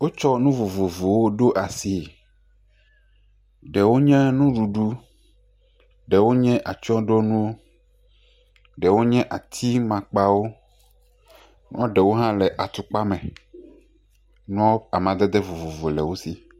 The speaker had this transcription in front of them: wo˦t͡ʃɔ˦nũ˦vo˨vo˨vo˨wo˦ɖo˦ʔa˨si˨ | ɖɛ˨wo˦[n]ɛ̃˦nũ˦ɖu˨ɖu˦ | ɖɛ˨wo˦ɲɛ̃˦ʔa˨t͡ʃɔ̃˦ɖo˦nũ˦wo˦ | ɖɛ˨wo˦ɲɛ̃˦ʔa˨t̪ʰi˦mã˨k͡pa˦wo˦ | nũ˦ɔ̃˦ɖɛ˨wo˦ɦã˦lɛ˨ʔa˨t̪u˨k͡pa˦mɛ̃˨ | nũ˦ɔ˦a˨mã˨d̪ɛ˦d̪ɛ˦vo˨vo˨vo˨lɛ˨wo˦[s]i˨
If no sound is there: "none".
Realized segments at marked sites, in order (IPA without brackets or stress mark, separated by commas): ɲ, s